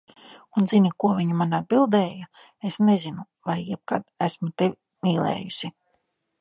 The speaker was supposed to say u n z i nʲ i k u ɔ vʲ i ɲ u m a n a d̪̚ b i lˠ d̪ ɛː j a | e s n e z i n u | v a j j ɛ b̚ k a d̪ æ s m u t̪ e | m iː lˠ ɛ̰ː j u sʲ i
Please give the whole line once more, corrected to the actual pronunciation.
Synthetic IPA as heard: u n z i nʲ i k u ɔ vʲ i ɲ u m a n a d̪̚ b i lˠ d̪ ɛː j a | e s n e z i n u | v a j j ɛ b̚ k a d̪ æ s m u t̪ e | m iː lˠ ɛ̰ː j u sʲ i